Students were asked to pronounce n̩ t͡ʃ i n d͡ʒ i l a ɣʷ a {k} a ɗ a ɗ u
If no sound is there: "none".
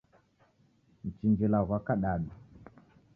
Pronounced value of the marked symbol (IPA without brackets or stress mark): k